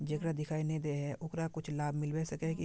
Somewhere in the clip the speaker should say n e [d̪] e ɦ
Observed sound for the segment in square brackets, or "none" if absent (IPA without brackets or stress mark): d̪